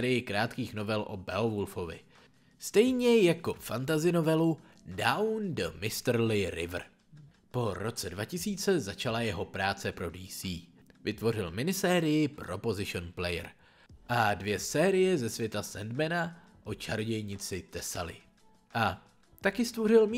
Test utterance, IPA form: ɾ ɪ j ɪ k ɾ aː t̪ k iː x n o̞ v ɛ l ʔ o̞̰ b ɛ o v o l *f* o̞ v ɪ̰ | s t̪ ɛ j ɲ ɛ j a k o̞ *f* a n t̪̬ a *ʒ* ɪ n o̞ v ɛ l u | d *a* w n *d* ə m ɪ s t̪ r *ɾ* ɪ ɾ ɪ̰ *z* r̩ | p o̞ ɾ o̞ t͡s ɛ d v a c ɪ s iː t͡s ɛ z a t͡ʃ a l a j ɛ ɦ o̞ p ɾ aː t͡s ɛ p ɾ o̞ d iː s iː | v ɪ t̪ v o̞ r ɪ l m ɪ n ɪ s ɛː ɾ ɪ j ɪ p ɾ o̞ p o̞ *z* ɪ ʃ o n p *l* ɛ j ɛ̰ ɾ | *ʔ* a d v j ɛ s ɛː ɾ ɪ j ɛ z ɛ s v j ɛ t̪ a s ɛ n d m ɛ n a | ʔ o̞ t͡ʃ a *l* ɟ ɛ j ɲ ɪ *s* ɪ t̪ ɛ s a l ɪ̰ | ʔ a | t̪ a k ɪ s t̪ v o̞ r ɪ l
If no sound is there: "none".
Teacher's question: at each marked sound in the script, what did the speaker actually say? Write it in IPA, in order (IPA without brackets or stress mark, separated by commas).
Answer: f, f, z, a, d, l, v, z, l, ʔ, ɾ, t͡s